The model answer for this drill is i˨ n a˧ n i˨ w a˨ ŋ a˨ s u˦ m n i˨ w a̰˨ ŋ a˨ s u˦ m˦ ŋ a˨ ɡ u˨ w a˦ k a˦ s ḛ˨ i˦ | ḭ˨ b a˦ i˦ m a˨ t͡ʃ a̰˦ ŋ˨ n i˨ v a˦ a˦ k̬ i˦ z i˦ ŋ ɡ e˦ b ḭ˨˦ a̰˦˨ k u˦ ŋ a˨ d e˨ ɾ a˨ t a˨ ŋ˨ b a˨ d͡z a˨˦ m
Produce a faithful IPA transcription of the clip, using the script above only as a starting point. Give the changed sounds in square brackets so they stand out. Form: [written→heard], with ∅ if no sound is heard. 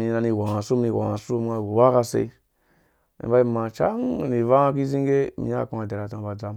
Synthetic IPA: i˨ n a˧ n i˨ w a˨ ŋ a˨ s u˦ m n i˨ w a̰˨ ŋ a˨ s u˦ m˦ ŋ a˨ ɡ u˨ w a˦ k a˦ s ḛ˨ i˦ | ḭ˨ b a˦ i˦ m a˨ t͡ʃ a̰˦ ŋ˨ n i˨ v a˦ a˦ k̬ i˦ z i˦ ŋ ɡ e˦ [b→m] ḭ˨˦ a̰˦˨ k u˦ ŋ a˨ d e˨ ɾ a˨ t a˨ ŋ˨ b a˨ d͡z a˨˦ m